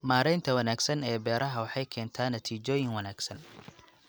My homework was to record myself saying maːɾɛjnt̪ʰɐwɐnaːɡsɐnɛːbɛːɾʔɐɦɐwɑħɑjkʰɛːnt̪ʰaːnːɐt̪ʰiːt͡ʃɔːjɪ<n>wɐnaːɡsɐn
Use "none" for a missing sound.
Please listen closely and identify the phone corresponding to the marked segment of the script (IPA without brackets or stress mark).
ŋ